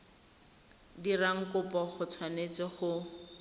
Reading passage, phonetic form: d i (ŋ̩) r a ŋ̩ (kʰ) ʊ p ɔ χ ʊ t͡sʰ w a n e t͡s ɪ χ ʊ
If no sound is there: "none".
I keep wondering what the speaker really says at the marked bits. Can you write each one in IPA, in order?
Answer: none, k

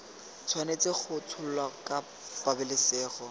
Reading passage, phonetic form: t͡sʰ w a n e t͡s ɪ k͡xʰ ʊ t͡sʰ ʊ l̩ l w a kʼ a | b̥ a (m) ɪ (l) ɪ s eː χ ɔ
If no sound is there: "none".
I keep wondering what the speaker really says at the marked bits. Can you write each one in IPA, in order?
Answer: b, l

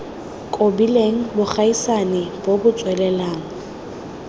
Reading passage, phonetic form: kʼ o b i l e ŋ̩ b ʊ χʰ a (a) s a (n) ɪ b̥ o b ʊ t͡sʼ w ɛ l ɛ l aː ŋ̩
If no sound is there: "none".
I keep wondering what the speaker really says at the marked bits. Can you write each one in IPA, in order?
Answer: i, n

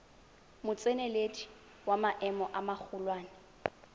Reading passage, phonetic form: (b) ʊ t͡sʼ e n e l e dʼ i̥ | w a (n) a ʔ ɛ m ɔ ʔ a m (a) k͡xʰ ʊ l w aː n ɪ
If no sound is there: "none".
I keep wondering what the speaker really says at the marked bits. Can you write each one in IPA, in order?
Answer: m, m, a

